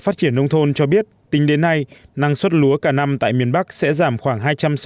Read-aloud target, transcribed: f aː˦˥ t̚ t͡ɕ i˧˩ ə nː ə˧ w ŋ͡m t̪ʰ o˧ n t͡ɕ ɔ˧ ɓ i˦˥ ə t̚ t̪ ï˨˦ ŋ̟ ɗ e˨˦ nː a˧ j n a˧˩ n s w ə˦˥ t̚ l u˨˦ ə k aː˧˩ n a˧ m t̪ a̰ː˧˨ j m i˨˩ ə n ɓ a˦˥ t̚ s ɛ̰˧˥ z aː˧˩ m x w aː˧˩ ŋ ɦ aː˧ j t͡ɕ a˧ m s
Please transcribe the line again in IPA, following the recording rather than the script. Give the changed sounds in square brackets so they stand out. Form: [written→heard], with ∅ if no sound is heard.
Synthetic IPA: f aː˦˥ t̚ t͡ɕ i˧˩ ə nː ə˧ w ŋ͡m t̪ʰ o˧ n t͡ɕ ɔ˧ ɓ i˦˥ ə t̚ t̪ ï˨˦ ŋ̟ ɗ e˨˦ nː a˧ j n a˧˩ [n→ŋ] s w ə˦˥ t̚ l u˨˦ ə k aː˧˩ n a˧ m t̪ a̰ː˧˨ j m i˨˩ ə n ɓ a˦˥ [t̚→k̚] s ɛ̰˧˥ z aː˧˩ m x w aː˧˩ ŋ ɦ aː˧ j t͡ɕ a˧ m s

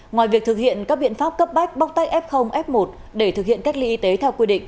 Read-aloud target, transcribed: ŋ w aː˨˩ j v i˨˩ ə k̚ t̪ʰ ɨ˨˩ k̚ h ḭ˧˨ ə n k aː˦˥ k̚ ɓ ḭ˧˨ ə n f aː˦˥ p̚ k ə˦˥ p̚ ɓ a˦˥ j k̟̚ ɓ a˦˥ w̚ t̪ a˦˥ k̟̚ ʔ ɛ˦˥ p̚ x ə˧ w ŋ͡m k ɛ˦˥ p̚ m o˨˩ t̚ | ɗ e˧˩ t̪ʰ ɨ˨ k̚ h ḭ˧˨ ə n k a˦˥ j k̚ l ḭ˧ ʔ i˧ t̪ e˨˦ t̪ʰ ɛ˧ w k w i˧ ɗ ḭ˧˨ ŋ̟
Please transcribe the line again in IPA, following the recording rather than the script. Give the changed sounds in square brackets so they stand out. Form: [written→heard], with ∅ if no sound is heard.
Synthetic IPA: ŋ w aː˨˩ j v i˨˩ ə k̚ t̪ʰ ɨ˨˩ k̚ h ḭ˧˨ ə n k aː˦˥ k̚ ɓ ḭ˧˨ ə n f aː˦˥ p̚ k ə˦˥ p̚ ɓ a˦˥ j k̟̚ ɓ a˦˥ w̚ t̪ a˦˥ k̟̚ ʔ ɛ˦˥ p̚ x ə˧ w ŋ͡m [k→ʔ] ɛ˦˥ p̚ m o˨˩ t̚ | ɗ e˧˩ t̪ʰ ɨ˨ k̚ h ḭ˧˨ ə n k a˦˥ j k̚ l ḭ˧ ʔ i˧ t̪ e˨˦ t̪ʰ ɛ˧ w k w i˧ ɗ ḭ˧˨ ŋ̟

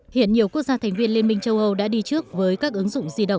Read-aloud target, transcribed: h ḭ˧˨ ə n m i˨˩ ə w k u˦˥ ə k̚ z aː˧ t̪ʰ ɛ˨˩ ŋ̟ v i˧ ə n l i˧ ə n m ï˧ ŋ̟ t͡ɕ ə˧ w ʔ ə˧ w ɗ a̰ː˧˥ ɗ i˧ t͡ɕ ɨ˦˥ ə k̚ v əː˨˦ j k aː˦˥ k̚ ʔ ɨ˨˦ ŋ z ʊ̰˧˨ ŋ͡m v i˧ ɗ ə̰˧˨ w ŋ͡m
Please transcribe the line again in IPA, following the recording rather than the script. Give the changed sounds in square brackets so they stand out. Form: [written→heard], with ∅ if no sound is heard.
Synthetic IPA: h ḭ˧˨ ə n [m→ɲ] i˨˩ ə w k u˦˥ ə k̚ z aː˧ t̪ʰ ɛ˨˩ ŋ̟ v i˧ ə n l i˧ ə n m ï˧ ŋ̟ t͡ɕ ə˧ w ʔ ə˧ w ɗ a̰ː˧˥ ɗ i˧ t͡ɕ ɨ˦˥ ə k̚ v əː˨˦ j k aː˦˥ k̚ ʔ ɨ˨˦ ŋ z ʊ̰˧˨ ŋ͡m [v→z] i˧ ɗ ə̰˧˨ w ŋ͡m

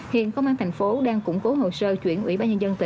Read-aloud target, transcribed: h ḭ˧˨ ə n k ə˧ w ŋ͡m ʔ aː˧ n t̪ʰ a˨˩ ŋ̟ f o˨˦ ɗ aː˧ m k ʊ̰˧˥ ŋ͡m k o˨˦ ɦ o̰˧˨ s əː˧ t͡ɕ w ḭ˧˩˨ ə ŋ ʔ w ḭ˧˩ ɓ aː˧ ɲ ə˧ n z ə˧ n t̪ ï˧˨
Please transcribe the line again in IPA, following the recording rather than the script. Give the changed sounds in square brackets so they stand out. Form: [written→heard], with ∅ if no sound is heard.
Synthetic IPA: h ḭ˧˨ ə n k ə˧ w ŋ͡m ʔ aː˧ n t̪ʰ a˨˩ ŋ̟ f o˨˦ ɗ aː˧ [m→ŋ] k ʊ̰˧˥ ŋ͡m k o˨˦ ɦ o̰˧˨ s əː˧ t͡ɕ w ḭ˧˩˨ ə [ŋ→n] ʔ w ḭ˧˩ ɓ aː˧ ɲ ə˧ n z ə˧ n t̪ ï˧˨

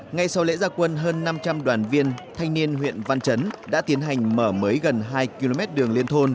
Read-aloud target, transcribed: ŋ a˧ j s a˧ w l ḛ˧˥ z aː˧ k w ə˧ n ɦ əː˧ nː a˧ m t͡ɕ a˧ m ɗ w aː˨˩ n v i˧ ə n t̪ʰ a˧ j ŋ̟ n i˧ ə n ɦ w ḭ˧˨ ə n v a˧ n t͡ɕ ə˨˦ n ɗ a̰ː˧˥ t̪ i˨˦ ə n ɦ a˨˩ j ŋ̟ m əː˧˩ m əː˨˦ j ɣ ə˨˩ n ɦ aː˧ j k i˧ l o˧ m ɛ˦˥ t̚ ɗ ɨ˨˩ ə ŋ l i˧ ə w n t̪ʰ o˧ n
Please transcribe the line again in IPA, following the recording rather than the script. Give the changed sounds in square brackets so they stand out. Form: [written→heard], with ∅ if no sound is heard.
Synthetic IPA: ŋ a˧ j s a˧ w l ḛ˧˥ z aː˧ k w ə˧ n ɦ əː˧ nː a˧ m t͡ɕ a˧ m ɗ w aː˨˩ n v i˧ ə n t̪ʰ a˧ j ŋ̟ n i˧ ə n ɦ w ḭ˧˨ ə n v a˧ n t͡ɕ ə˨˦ n ɗ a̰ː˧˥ t̪ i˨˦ ə n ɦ a˨˩ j ŋ̟ m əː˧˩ m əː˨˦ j ɣ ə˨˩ n ɦ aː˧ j k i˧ l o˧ m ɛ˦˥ t̚ ɗ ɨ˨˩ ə ŋ l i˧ ə [w→∅] n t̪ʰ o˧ n

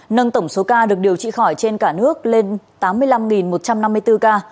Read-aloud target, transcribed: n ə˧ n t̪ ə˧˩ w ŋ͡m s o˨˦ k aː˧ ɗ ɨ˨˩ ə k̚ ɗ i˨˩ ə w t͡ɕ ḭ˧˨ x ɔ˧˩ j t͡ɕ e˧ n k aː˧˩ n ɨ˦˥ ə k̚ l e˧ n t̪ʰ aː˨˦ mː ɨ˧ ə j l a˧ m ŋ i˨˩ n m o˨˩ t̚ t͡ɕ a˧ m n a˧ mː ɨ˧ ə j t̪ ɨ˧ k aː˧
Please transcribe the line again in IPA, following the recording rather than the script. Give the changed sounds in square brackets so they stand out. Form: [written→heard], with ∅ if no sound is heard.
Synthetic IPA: n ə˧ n t̪ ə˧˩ w ŋ͡m s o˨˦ k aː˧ ɗ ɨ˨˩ ə k̚ ɗ i˨˩ ə w t͡ɕ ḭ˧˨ x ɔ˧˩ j t͡ɕ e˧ n k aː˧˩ n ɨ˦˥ ə k̚ l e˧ n [t̪ʰ→t̪] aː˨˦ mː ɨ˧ ə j l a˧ m ŋ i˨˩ n m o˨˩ t̚ t͡ɕ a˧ m n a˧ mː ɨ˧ ə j t̪ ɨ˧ k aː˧

